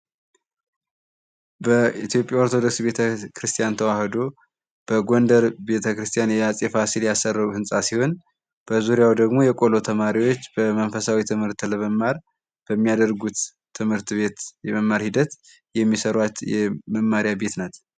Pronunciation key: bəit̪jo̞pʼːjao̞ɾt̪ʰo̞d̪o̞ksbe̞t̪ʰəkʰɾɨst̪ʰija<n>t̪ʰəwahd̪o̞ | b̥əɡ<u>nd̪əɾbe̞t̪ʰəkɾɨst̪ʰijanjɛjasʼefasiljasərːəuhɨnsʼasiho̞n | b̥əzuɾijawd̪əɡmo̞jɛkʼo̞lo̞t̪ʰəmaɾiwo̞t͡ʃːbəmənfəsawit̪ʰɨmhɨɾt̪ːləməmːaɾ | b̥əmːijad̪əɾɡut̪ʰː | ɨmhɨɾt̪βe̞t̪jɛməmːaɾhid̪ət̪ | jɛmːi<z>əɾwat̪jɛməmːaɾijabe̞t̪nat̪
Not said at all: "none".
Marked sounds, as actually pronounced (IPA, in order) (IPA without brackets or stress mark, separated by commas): n, o, s